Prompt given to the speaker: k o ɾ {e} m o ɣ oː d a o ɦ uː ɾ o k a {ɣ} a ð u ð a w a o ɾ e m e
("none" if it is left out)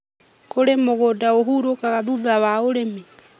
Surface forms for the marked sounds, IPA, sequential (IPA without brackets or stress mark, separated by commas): e, ɣ